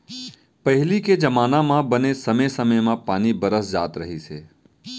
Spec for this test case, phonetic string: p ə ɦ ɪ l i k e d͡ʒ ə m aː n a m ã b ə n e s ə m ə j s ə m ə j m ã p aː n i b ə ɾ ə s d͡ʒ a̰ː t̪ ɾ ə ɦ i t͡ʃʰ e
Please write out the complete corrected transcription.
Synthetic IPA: p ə ɦ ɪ l i k e d͡ʒ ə m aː n a m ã b ə n e s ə m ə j s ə m ə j m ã p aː n i b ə ɾ ə s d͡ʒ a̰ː t̪ ɾ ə ɦ i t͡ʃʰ e